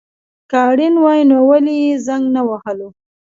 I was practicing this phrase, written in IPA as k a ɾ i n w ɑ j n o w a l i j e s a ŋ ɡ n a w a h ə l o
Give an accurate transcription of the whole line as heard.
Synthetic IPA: k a ɽ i n w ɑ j n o w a l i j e z a ŋ ɡ n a w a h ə l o